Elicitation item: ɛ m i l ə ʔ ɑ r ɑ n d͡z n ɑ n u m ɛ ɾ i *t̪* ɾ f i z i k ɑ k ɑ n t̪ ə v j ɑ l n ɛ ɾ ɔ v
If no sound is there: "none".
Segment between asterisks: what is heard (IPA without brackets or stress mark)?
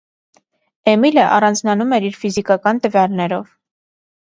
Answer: none